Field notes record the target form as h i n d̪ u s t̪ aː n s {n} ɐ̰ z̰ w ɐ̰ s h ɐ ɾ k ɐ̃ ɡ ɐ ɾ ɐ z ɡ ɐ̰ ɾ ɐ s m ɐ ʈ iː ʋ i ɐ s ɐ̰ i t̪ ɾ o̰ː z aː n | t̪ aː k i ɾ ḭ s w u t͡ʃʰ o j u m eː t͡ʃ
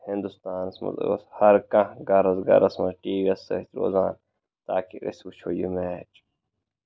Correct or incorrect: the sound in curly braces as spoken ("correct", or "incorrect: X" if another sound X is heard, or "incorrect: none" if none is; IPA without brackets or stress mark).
incorrect: m